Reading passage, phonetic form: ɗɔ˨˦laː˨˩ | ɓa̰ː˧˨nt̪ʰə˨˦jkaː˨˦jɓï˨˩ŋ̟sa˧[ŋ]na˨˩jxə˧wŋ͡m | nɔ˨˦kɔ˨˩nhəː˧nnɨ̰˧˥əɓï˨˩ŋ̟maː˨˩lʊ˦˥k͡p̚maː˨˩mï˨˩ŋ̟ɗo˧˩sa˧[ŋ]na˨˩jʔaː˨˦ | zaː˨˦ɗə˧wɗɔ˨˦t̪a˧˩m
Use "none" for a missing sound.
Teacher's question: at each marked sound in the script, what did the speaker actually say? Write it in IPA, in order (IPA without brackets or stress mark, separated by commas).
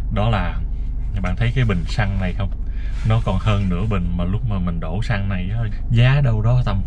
ŋ, ŋ